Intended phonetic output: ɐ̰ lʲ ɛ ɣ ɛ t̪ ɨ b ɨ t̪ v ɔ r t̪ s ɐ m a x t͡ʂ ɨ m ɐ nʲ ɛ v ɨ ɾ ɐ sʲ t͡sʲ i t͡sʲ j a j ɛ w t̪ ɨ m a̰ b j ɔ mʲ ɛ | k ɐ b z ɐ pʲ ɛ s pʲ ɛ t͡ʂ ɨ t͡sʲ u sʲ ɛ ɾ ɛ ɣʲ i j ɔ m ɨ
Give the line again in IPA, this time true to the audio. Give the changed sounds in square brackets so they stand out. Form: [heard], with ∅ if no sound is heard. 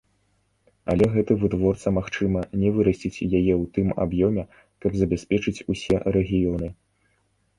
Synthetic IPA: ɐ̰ lʲ ɛ ɣ ɛ t̪ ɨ [v] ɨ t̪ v ɔ r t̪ s ɐ m a x t͡ʂ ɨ m ɐ nʲ ɛ v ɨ ɾ ɐ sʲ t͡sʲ i t͡sʲ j a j ɛ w t̪ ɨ m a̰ b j ɔ mʲ ɛ | k ɐ b z ɐ [bʲ] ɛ s pʲ ɛ t͡ʂ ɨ t͡sʲ u sʲ ɛ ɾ ɛ ɣʲ i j ɔ [n] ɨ